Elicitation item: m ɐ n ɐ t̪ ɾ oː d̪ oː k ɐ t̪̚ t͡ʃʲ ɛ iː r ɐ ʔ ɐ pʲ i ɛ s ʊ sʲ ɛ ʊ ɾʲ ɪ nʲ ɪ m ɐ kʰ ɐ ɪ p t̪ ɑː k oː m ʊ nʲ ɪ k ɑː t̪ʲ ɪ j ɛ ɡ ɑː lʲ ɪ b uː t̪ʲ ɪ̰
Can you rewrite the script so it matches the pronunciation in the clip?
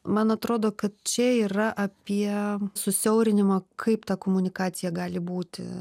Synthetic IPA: m ɐ n ɐ t̪ ɾ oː d̪ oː k ɐ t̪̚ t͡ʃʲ ɛ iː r ɐ ʔ ɐ pʲ i ɛ s ʊ sʲ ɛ ʊ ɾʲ ɪ nʲ ɪ m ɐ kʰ ɐ ɪ p t̪ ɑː k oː m ʊ nʲ ɪ k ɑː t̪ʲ ɪ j ɛ ɡ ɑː lʲ ɪ b uː t̪ʲ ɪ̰

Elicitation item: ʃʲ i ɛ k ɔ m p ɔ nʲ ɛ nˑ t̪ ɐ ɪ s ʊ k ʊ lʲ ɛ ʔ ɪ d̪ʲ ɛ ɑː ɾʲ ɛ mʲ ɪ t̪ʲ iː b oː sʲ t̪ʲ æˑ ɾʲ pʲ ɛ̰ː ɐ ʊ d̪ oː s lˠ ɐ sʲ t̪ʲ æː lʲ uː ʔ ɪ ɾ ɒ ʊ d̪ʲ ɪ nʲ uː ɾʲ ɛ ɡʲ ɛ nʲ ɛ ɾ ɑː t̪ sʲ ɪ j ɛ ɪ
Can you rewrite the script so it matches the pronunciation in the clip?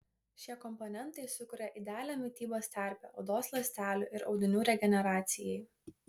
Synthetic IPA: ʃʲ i ɛ k ɔ m p ɔ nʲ ɛ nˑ t̪ ɐ ɪ s ʊ k ʊ ɾʲ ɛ ʔ ɪ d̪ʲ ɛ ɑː lʲ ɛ mʲ ɪ t̪ʲ iː b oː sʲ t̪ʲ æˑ ɾʲ pʲ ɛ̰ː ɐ ʊ d̪ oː s lˠ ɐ sʲ t̪ʲ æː lʲ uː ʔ ɪ ɾ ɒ ʊ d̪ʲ ɪ nʲ uː ɾʲ ɛ ɡʲ ɛ nʲ ɛ ɾ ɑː t̪ sʲ ɪ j ɛ ɪ

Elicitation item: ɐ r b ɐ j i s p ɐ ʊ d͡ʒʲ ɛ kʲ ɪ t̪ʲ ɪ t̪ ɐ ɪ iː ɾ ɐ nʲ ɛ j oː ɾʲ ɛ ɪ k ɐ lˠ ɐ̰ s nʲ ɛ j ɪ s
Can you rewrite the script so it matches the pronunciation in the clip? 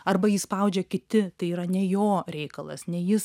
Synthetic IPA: ɐ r b ɐ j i s p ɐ ʊ d͡ʒʲ ɛ kʲ ɪ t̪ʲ ɪ t̪ ɐ ɪ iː ɾ ɐ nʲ ɛ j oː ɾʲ ɛ ɪ k ɐ lˠ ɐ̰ s nʲ ɛ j ɪ s

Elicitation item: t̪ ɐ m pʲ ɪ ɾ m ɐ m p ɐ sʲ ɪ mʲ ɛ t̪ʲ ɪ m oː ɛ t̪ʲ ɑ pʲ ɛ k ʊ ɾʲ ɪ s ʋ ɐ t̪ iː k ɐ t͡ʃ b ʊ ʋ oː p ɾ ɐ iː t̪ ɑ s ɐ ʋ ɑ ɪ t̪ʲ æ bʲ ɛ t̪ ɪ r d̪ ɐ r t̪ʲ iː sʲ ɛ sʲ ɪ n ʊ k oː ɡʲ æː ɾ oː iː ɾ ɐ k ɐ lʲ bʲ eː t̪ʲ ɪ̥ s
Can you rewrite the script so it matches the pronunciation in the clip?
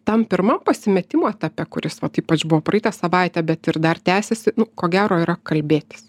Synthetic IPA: t̪ ɐ m pʲ ɪ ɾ m ɐ m p ɐ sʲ ɪ mʲ ɛ t̪ʲ ɪ m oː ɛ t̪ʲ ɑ pʲ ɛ k ʊ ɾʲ ɪ s ʋ ɐ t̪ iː p ɐ t͡ʃ b ʊ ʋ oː p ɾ ɐ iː t̪ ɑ s ɐ ʋ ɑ ɪ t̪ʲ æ bʲ ɛ t̪ ɪ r d̪ ɐ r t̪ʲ æː sʲ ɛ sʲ ɪ n ʊ k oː ɡʲ æː ɾ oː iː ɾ ɐ k ɐ lʲ bʲ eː t̪ʲ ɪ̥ s

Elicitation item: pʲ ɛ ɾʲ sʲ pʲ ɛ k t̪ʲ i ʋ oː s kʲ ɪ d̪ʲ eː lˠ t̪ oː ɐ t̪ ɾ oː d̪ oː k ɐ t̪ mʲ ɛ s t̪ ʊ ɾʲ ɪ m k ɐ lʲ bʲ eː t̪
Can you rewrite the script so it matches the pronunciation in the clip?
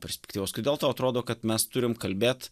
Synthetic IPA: pʲ ɛ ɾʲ sʲ pʲ ɛ k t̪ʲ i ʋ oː s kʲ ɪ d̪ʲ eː lˠ t̪ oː ɐ t̪ ɾ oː d̪ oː k ɐ t̪ mʲ ɛ s t̪ ʊ ɾʲ ɪ m k ɐ lʲ bʲ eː t̪

